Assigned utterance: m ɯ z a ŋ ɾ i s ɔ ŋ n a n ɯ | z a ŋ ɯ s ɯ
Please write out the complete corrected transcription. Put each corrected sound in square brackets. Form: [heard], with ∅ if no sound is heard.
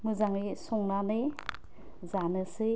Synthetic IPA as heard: m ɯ z a ŋ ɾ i s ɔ ŋ n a n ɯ | z a [n] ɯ s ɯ

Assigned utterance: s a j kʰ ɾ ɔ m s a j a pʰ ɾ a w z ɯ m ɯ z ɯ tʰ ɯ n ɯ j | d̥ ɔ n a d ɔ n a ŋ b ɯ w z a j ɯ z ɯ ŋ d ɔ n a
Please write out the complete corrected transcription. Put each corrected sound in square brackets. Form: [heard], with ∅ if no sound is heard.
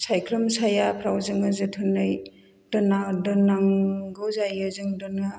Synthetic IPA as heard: s a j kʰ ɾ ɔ m s a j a pʰ ɾ a w z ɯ [ŋ] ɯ z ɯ tʰ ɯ n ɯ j | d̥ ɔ n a d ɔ n a ŋ [ɡ] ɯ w z a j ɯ z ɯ ŋ d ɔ n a

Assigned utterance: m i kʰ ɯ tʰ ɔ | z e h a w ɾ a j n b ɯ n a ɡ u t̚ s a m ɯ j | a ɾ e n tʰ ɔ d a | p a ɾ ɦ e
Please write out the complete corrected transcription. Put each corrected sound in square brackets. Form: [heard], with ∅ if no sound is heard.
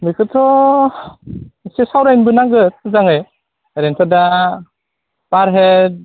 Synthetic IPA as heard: m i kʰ ɯ tʰ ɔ | [s] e [s] a w ɾ a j n b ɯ n a ɡ [ɯ] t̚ [z] a [ŋ] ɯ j | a ɾ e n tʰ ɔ d a | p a ɾ ɦ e

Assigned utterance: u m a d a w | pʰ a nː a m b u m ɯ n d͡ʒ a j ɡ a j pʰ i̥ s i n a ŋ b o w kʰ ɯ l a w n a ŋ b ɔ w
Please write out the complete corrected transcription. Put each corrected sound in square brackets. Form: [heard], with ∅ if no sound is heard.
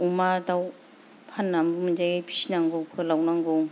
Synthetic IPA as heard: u m a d a w | pʰ a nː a m b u m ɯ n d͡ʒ a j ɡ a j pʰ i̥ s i n a ŋ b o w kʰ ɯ l a w n a ŋ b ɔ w

